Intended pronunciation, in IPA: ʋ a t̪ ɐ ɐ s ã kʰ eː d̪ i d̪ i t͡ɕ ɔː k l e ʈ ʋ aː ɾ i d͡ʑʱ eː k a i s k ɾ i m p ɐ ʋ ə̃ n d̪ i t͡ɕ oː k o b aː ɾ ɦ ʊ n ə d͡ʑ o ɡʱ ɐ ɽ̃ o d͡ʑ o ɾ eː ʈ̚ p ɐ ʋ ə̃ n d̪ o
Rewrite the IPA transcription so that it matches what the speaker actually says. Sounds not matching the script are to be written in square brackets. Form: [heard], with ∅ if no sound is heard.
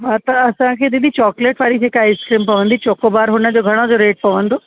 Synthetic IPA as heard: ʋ a t̪ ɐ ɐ s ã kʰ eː d̪ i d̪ i t͡ɕ ɔː k l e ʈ ʋ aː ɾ i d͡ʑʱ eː k a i s k ɾ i m p ɐ ʋ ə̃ n d̪ i t͡ɕ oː k o b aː ɾ ɦ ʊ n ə d͡ʑ o ɡʱ ɐ ɽ̃ o d͡ʑ o ɾ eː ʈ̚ p ɐ ʋ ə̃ n d̪ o